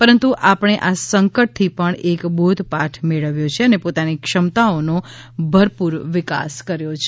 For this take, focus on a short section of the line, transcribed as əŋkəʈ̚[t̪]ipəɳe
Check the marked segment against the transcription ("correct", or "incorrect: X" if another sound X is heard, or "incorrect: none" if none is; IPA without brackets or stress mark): incorrect: t̪ʰ